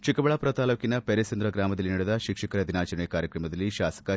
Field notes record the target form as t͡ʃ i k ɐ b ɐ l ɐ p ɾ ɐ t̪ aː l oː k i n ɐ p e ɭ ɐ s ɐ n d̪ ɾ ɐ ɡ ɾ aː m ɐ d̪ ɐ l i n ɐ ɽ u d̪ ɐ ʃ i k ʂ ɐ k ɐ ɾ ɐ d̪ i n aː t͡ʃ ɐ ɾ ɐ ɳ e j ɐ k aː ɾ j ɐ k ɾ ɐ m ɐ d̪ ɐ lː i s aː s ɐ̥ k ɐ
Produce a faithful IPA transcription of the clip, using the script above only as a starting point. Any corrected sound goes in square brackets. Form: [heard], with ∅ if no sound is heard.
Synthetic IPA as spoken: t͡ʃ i k ɐ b ɐ [ɭ] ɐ p ɾ ɐ t̪ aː l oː k i n ɐ p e [ɾ] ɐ s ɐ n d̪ ɾ ɐ ɡ ɾ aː m ɐ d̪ ɐ l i n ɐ ɽ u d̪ ɐ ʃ i k ʂ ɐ k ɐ ɾ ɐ d̪ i n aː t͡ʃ ɐ ɾ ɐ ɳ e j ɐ k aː ɾ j ɐ k ɾ ɐ m ɐ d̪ ɐ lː i [ʃ] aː s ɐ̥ k ɐ

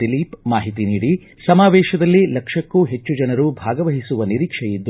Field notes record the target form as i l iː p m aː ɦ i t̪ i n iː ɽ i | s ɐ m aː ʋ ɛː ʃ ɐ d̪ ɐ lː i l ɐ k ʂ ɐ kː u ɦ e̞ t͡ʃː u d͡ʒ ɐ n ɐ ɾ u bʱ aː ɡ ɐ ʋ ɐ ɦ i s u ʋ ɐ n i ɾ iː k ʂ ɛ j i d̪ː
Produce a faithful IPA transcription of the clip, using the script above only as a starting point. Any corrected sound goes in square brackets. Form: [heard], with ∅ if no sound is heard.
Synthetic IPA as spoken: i l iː p m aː ɦ i t̪ i n iː ɽ i | s ɐ m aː ʋ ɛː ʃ ɐ d̪ ɐ lː i l ɐ k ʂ ɐ kː u ɦ e̞ t͡ʃː u d͡ʒ ɐ n ɐ ɾ u bʱ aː ɡ ɐ ʋ ɐ ɦ i s u ʋ ɐ n i ɾ iː k ʂ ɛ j i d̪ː

